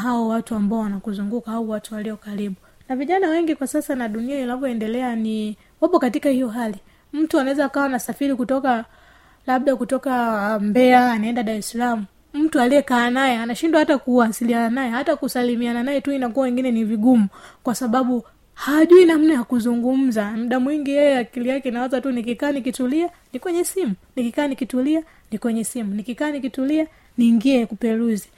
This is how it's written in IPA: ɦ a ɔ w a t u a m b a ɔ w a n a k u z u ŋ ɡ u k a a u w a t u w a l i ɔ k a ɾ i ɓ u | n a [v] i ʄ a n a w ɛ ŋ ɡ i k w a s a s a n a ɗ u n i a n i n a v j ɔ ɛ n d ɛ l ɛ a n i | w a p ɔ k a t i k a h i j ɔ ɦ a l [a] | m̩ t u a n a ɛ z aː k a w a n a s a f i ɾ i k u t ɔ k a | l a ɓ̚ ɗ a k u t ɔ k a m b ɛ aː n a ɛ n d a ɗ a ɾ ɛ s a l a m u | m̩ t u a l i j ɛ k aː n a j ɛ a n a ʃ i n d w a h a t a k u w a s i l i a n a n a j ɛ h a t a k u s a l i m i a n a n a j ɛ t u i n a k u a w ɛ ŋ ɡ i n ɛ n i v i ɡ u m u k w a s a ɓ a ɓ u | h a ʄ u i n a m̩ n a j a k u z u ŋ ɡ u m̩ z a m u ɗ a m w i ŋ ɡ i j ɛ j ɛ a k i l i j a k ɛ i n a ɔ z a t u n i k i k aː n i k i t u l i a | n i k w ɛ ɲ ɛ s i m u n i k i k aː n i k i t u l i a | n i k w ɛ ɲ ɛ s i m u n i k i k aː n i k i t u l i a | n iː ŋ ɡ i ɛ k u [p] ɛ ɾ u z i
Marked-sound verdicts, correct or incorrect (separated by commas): correct, incorrect, correct